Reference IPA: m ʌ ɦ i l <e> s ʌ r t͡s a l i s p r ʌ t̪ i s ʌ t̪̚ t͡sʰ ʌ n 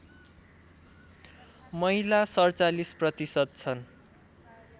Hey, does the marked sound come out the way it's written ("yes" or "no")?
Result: no